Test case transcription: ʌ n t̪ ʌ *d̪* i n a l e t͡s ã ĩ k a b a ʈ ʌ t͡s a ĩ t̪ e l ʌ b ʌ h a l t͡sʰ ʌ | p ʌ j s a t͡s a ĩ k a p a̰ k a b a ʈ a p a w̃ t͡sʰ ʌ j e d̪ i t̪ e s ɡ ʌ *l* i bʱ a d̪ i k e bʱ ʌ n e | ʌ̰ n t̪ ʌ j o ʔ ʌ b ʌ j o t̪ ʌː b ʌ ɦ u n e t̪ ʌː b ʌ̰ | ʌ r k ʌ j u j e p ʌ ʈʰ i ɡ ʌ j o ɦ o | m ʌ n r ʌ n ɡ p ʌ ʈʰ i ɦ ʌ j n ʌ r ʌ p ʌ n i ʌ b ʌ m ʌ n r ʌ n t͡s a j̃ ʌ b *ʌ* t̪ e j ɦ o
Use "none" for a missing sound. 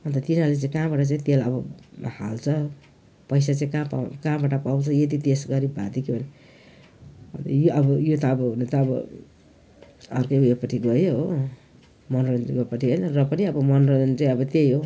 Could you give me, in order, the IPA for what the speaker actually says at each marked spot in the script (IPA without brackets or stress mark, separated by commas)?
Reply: t̪, ɾ, ʌ